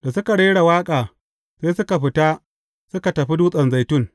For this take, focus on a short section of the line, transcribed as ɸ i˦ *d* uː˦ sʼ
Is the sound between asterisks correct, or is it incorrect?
correct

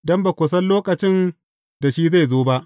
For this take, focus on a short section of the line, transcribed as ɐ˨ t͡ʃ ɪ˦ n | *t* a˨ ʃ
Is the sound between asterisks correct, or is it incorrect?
incorrect: d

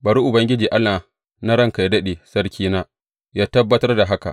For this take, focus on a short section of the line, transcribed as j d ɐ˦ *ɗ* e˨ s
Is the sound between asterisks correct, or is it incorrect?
correct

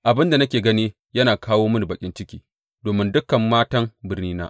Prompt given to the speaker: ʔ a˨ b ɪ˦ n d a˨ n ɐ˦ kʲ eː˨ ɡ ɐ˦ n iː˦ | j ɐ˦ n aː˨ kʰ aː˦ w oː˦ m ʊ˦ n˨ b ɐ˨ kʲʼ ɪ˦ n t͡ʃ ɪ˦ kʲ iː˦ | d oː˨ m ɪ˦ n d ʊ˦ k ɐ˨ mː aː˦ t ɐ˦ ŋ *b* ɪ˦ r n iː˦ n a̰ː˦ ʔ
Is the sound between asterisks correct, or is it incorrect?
correct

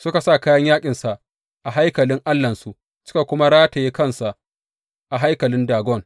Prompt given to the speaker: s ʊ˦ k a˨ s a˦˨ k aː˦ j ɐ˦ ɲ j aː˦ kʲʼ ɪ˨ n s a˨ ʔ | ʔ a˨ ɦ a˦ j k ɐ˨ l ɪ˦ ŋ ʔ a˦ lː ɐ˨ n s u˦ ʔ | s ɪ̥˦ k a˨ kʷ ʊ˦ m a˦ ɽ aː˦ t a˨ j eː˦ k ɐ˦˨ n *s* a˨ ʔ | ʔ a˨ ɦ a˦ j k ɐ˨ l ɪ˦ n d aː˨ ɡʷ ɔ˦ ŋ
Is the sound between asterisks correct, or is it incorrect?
correct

